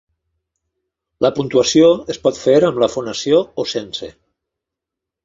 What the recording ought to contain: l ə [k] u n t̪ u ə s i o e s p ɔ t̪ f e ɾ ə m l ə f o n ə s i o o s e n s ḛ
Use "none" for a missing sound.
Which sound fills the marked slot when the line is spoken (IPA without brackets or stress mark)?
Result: p